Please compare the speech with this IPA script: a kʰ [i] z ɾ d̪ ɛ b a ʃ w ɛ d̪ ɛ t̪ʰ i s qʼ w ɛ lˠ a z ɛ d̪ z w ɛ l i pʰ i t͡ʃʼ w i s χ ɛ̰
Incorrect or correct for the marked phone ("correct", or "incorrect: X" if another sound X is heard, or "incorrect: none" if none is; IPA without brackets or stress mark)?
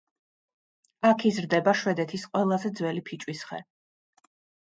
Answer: correct